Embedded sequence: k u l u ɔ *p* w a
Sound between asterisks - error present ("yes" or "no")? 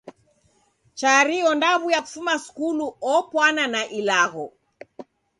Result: no